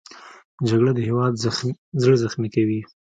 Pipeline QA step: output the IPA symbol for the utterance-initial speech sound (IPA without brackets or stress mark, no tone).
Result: d͡ʒ